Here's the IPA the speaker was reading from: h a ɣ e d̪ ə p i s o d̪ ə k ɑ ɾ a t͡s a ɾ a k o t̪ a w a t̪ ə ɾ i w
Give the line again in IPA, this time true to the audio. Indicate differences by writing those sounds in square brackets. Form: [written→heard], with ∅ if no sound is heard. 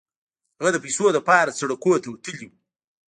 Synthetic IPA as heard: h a ɣ [e→a] d̪ ə p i s o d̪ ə [k→p] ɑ ɾ a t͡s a [ɾ→ɽ] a k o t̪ a w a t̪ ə [ɾ→l] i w